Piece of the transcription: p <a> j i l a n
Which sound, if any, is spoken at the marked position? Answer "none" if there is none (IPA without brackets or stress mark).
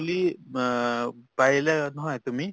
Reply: a